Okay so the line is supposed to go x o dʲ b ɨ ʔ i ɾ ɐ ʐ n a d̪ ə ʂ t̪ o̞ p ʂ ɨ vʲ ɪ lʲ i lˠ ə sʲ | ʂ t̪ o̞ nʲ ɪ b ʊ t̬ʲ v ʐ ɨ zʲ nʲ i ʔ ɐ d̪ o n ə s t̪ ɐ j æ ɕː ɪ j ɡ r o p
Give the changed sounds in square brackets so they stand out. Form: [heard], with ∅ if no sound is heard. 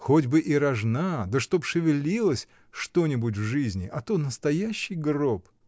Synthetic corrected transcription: x o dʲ b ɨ ʔ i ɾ ɐ ʐ n a d̪ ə ʂ t̪ o̞ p ʂ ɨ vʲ ɪ lʲ i lˠ ə sʲ | ʂ t̪ o̞ nʲ ɪ b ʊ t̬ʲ v ʐ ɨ zʲ nʲ [ɪ] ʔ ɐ [t̪] o n ə s t̪ ɐ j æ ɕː ɪ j ɡ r o p